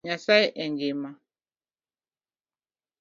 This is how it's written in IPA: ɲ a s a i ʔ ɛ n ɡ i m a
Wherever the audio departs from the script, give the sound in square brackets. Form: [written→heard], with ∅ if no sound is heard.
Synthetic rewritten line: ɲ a s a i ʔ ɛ [n→ŋ] ɡ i m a